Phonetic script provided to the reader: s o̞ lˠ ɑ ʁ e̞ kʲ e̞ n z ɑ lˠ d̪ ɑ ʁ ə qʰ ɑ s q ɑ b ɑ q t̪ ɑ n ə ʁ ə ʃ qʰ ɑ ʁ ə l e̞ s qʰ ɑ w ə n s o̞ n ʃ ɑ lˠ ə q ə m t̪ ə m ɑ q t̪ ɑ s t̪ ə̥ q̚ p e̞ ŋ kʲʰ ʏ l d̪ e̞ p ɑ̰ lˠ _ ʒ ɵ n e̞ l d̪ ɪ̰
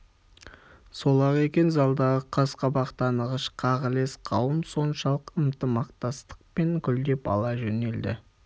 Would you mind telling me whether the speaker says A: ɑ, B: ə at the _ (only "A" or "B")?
A